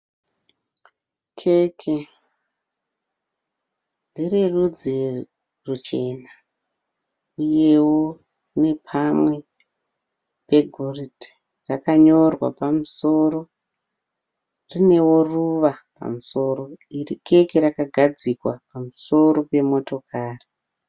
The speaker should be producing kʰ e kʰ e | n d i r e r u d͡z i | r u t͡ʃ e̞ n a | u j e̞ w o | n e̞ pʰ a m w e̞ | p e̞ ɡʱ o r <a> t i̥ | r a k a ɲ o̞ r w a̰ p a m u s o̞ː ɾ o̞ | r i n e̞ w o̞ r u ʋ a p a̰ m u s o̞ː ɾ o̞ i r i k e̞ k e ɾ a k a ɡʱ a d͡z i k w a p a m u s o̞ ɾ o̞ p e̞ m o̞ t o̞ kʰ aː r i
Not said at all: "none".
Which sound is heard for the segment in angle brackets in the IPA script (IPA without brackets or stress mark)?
i